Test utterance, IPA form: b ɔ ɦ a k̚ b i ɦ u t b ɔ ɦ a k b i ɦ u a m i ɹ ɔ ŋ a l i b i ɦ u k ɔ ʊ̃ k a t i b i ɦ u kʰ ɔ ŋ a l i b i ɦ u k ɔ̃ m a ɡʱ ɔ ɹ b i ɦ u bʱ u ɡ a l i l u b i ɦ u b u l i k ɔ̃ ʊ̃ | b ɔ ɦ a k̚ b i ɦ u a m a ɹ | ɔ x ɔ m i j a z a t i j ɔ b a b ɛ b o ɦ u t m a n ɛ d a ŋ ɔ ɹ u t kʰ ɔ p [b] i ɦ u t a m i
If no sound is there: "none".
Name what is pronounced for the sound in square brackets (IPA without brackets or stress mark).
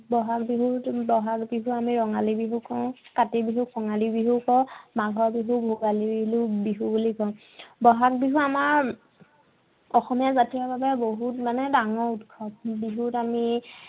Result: b